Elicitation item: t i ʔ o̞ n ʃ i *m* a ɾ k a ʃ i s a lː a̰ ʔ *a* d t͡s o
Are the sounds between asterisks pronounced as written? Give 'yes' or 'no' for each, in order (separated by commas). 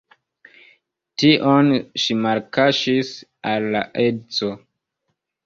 yes, no